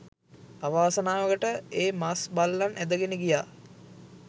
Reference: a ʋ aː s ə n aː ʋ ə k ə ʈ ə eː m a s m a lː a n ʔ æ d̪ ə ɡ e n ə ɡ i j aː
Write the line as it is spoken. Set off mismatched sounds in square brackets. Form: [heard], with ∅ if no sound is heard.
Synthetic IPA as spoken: a ʋ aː s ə n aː ʋ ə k ə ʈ ə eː m a s [b] a lː a n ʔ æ d̪ ə ɡ e n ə ɡ i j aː